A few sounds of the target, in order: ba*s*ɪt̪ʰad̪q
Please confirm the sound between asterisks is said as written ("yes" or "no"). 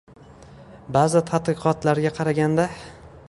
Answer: no